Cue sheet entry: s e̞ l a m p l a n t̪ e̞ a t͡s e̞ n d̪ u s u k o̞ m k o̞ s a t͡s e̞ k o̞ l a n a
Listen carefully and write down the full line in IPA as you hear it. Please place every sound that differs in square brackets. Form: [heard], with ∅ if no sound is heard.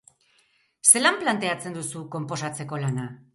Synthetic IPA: s e̞ l a m p l a n t̪ e̞ a t͡s e̞ n d̪ u s u k o̞ m [p] o̞ s a t͡s e̞ k o̞ l a n a